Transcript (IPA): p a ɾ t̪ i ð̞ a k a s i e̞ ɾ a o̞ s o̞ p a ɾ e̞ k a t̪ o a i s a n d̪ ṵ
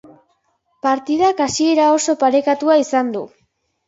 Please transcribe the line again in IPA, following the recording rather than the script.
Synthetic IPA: p a ɾ t̪ i ð̞ a k a s i e̞ ɾ a o̞ s o̞ p a ɾ e̞ k a t̪ u a i s a n d̪ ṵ